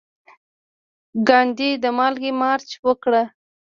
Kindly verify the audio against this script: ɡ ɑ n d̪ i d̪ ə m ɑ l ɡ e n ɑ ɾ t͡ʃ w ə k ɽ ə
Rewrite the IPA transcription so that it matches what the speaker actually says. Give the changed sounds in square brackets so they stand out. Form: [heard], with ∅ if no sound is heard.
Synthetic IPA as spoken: ɡ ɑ n d̪ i d̪ ə m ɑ l ɡ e [m] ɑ ɾ t͡ʃ w ə k ɽ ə

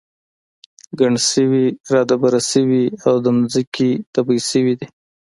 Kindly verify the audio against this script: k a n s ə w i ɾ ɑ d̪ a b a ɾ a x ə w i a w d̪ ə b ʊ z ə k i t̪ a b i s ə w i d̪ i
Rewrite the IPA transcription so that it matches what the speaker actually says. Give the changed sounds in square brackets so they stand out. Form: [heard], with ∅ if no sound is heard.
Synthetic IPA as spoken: [ɡ] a [ɳ] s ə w i ɾ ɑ d̪ a b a ɾ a [s] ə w i a w d̪ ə [m] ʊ z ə k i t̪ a b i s ə w i d̪ i

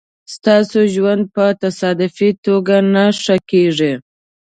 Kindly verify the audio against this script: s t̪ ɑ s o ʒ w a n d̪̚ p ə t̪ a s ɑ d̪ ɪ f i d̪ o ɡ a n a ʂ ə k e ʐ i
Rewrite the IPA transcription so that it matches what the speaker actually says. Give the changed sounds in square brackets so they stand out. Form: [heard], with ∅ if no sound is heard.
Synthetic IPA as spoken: s t̪ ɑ s o ʒ w a n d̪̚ p ə t̪ a s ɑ d̪ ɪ f i [t̪] o ɡ a n a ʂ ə k e ʐ i

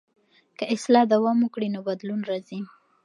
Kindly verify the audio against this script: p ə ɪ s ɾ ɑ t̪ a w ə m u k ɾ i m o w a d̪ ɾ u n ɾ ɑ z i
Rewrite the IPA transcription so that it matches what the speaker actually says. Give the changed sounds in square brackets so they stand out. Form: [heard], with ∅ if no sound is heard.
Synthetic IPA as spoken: [k] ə ɪ s [l] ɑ [d̪] a w [ɑ] m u k [ɽ] i [n] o [b] a d̪ [l] u n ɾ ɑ z i

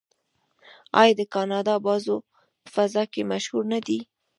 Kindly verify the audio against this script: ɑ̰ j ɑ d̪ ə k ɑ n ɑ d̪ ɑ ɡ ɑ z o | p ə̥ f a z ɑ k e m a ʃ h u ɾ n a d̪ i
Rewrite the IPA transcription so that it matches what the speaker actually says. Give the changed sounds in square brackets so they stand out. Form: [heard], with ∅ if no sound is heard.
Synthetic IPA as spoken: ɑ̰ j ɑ d̪ ə k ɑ n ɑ d̪ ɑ [b] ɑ z o | p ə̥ f a z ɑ k e m a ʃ h u ɾ n a d̪ i

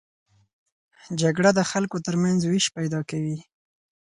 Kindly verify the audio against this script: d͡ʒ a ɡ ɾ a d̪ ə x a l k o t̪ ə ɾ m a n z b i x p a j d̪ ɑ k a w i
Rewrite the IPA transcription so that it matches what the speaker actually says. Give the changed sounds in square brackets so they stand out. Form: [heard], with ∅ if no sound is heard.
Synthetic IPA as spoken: d͡ʒ a ɡ [ɽ] a d̪ ə x a l k o t̪ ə ɾ m a n z [w] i [ʃ] p a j d̪ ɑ k a w i

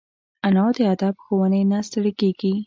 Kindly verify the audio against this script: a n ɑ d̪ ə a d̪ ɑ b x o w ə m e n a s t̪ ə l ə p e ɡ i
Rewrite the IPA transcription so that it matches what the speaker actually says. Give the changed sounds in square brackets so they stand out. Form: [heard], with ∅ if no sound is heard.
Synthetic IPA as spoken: a n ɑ d̪ ə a d̪ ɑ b x o w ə [n] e n a s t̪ ə [ɽ] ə [k] e ɡ i

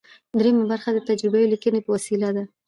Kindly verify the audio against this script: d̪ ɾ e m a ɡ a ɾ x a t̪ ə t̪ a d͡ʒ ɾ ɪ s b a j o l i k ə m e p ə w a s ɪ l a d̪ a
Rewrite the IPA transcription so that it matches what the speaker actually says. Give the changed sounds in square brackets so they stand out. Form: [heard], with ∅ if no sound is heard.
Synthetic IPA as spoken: d̪ ɾ e m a [b] a ɾ x a [d̪] ə t̪ a d͡ʒ ɾ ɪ [∅] b a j o l i k ə [n] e p ə w a s [i] l a d̪ a

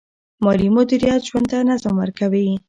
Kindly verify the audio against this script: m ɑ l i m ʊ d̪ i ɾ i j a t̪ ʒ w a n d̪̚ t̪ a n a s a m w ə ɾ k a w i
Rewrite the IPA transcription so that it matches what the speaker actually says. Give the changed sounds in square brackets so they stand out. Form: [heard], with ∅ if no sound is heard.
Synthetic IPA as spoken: m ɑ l i m ʊ d̪ i ɾ i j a t̪ ʒ w a n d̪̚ t̪ a n a [z] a m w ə ɾ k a w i

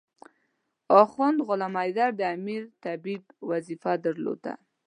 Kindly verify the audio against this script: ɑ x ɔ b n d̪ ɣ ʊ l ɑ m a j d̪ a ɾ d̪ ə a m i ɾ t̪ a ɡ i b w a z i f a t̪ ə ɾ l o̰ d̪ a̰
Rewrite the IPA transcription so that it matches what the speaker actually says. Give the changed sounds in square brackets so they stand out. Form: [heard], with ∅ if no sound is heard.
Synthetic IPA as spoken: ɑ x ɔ [∅] n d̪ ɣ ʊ l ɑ m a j d̪ a ɾ d̪ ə a m i ɾ t̪ a [b] i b w a z i f a [d̪] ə ɾ l o̰ d̪ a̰

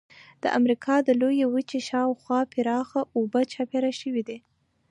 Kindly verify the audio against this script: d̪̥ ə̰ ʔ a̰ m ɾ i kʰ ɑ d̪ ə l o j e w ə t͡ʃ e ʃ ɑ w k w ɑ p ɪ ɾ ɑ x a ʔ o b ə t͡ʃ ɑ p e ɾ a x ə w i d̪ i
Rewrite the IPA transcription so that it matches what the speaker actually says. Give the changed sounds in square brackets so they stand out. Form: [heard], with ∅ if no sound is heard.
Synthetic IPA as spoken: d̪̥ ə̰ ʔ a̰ m ɾ i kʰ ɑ d̪ ə l o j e w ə t͡ʃ e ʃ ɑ w [x] w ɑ p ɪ ɾ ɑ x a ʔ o b ə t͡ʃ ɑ p e ɾ a [ʃ] ə w i d̪ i

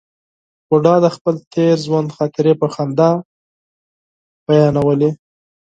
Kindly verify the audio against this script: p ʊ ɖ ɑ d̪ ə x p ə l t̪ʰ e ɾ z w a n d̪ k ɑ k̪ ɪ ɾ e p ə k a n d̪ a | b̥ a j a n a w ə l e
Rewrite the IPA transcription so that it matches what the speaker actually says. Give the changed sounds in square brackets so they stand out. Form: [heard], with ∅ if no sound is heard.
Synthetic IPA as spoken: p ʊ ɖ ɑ d̪ ə x p ə l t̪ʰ e ɾ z w a n d̪ [x] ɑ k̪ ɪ ɾ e p ə [x] a n d̪ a | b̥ a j [ɑ] n a w ə l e

